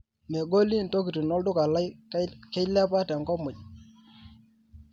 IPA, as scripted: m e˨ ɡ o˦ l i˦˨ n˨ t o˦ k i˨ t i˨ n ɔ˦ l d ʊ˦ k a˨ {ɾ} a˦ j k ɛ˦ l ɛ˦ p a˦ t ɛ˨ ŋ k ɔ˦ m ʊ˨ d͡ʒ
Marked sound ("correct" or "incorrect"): incorrect